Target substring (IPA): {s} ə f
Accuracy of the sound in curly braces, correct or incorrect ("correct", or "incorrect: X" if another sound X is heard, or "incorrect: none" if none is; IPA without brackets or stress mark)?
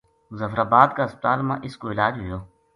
incorrect: z